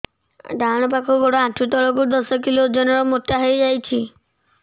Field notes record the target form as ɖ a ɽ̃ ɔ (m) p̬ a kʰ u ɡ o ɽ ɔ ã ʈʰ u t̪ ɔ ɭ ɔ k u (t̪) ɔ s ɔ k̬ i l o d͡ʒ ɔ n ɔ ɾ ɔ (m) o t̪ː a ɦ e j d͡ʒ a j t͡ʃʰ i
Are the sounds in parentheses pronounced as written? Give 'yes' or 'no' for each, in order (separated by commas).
no, no, yes